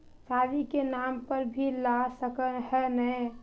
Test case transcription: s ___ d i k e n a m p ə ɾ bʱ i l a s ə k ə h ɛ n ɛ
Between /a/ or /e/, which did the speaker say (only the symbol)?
a